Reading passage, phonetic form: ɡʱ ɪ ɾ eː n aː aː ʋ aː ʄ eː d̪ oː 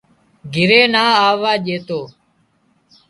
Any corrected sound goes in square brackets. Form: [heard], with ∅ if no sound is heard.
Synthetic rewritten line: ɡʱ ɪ ɾ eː n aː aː ʋ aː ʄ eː [t̪] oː